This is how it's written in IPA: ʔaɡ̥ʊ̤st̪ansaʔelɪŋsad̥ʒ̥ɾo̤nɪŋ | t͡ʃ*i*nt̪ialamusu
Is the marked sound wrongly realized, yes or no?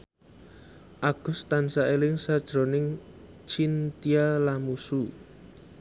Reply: no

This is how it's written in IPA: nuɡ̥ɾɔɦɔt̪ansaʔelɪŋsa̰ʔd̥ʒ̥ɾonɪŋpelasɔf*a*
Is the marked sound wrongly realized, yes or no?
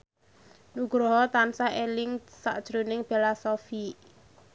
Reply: yes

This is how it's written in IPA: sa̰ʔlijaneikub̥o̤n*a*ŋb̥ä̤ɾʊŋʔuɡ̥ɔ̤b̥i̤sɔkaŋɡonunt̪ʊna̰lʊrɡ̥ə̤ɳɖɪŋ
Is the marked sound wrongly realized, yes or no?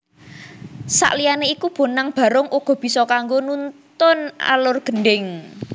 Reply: no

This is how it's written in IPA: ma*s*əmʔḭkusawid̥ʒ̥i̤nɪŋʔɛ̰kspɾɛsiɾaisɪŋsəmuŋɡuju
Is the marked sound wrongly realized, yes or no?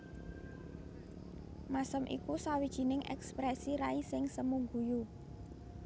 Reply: no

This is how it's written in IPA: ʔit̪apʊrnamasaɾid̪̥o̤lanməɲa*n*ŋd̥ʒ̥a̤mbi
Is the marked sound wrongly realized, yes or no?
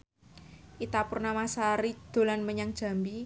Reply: yes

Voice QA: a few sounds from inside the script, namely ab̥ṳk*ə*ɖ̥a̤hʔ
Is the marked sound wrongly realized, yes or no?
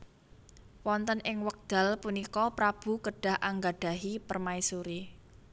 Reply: no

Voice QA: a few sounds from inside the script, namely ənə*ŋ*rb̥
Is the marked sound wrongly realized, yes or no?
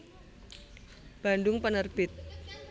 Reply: yes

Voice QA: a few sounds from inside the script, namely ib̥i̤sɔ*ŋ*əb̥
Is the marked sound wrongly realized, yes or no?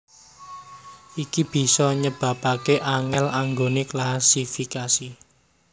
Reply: yes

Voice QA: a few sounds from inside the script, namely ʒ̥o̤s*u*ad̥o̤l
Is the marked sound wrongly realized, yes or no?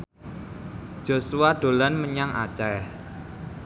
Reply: no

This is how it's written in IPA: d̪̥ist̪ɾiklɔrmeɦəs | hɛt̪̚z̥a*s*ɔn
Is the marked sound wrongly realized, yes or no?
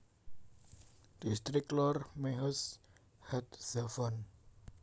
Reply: yes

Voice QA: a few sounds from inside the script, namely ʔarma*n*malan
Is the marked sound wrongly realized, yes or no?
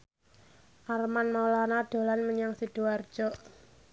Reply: no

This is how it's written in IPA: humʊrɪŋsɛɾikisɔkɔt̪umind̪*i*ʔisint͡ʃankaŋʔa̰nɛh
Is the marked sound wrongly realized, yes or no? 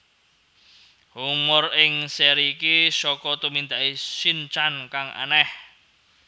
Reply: yes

